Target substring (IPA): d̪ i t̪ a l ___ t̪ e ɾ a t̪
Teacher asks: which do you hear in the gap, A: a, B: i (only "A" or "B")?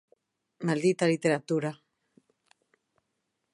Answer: B